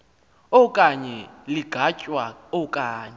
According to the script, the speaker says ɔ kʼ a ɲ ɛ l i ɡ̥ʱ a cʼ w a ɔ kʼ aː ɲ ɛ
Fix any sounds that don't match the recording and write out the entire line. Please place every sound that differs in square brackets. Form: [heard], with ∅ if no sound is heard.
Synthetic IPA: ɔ kʼ a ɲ ɛ l i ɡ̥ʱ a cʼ w a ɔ kʼ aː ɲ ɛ